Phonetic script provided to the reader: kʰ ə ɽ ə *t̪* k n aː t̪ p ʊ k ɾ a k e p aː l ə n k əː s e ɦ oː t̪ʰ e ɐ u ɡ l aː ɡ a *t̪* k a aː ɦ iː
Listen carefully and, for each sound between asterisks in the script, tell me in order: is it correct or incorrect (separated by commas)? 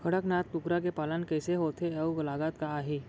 incorrect, correct